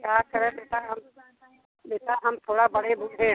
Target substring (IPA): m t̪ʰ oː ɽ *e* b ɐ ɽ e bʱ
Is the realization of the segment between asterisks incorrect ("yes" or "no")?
yes